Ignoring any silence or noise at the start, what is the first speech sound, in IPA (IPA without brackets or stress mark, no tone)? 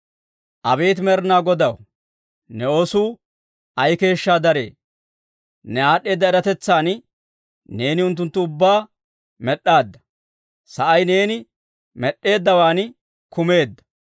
ʔ